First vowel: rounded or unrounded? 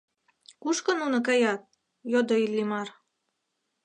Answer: rounded